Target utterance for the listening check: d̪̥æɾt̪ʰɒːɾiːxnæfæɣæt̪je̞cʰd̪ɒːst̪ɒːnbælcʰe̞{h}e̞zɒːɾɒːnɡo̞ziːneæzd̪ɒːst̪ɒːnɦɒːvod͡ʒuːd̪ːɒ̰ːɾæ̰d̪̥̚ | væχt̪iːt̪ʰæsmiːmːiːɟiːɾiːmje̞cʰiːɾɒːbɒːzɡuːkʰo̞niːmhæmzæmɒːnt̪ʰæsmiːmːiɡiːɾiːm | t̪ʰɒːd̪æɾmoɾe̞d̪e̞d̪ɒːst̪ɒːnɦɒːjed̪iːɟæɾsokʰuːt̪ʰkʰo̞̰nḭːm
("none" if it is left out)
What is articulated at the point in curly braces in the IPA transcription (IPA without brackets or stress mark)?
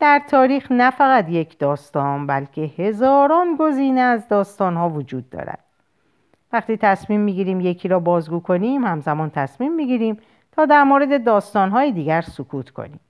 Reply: h